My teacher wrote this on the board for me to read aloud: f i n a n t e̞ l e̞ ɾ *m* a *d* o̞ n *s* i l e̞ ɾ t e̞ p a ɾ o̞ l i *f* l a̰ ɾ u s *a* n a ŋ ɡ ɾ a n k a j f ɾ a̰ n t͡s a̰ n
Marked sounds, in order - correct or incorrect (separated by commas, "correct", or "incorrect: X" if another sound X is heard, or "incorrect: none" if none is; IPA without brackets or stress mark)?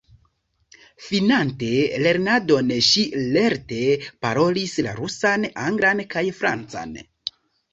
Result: incorrect: n, correct, incorrect: ʃ, incorrect: s, correct